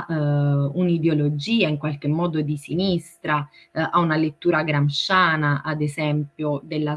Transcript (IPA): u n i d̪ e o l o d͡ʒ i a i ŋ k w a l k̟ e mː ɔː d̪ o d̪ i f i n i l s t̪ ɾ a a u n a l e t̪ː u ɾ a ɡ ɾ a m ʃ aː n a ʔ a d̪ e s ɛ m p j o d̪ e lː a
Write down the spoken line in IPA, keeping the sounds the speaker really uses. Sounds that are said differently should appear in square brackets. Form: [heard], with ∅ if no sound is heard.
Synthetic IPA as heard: u n i d̪ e o l o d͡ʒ [iː] a i ŋ k w a l k̟ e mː ɔː d̪ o d̪ i [s] i n i [∅] s t̪ ɾ a a u n a l e t̪ː [uː] ɾ a ɡ ɾ a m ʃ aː n a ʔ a d̪ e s ɛ m p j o d̪ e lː a